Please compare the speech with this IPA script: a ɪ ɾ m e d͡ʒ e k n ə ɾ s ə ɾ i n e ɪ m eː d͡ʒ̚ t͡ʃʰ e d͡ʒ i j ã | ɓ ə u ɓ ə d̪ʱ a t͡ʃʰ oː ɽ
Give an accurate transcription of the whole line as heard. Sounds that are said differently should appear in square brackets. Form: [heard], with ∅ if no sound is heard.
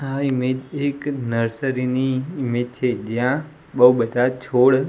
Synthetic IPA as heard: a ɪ [∅] m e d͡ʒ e k n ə ɾ s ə ɾ i n [i] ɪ m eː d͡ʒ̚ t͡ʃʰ e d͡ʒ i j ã | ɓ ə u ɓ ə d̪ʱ a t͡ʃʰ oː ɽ